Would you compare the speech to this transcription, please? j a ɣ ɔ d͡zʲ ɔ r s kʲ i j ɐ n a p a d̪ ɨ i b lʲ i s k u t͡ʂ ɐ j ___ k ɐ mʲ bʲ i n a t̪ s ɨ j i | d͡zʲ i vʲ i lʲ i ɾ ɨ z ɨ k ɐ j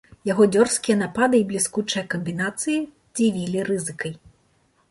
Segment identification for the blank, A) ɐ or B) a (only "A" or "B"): A